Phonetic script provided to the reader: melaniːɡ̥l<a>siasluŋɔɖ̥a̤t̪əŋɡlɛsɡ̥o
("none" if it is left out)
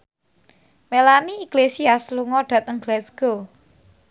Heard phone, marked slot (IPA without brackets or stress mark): e